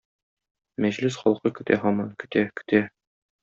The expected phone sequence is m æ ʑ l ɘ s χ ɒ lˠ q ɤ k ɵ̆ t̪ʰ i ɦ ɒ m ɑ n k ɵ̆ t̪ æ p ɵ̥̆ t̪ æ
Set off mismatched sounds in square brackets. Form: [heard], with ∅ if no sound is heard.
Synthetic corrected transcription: m æ ʑ l ɘ s χ ɒ lˠ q ɤ k ɵ̆ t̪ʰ [æ] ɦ ɒ m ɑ n k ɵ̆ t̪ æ [k] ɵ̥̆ t̪ æ